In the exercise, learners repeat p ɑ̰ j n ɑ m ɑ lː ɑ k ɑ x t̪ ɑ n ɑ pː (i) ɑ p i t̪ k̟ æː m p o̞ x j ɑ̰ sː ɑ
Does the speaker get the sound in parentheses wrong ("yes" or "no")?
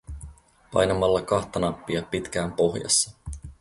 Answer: no